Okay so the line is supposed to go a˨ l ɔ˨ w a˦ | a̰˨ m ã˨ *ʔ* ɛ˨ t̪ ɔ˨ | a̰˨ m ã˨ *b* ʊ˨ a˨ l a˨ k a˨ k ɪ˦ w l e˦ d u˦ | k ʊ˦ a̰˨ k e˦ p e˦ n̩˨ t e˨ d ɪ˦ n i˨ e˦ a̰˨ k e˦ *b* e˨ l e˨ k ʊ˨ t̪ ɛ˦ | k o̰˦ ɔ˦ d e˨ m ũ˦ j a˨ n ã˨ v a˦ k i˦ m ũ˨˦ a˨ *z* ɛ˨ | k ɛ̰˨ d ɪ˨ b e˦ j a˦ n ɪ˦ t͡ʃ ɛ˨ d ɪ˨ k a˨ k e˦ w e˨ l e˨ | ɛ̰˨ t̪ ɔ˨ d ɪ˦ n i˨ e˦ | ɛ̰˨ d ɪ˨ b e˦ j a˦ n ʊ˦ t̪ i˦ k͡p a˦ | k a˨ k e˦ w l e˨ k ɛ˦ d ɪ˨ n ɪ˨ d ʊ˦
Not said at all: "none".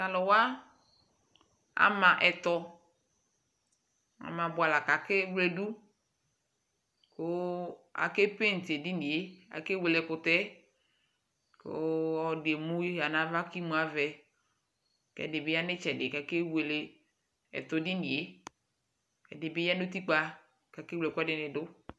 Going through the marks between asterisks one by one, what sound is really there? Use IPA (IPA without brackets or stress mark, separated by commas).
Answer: ʔ, b, w, v